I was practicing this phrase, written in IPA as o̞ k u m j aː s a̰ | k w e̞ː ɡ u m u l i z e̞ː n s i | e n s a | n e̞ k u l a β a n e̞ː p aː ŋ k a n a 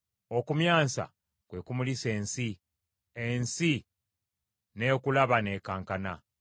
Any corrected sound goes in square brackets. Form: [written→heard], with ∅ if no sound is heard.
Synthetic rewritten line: o̞ k u m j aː s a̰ | k w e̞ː [ɡ→k] u m u l i [z→s] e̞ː n s i | e n s [a→i] | n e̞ k u l a β a n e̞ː [p→k] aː ŋ k a n a